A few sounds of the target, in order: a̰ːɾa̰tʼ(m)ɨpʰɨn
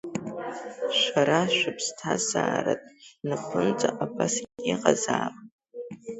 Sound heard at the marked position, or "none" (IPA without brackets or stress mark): n